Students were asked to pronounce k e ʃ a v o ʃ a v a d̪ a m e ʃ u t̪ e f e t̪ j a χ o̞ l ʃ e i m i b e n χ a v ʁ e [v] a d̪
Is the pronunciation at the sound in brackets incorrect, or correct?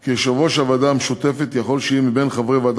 correct